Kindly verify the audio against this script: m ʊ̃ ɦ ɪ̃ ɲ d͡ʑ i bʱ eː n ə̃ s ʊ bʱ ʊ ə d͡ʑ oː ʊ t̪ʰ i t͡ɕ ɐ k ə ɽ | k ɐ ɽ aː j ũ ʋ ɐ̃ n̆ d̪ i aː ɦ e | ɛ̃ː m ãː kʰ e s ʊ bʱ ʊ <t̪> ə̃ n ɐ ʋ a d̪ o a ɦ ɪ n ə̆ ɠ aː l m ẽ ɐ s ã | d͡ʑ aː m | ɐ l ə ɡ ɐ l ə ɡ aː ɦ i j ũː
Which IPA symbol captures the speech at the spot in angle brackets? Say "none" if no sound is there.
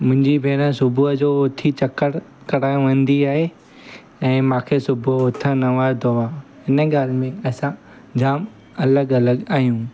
t̪ʰ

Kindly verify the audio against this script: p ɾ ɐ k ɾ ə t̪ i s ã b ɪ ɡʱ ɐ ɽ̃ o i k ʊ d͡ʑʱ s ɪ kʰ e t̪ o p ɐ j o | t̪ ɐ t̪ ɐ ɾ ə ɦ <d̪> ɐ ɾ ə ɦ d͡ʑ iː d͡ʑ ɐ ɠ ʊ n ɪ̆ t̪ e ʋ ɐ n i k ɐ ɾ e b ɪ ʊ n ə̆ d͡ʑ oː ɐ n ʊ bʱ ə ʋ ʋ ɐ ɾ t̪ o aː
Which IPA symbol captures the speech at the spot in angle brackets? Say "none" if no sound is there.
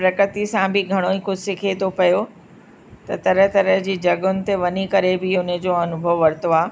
t̪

